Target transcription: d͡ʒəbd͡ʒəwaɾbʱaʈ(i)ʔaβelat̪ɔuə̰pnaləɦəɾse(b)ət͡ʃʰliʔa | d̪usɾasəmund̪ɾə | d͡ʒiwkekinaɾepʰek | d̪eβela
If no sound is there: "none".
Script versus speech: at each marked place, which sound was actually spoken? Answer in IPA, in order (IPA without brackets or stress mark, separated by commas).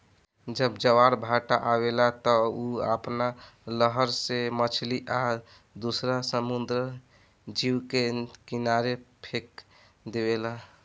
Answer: a, m